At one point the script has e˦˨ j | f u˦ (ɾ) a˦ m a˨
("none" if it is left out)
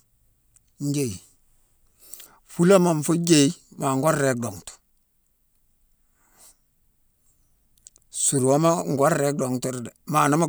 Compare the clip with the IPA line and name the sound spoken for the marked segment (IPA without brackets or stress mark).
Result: l